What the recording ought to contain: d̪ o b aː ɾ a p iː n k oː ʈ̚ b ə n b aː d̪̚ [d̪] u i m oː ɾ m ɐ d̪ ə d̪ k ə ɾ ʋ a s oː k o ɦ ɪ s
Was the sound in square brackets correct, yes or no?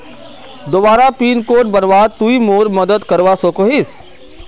no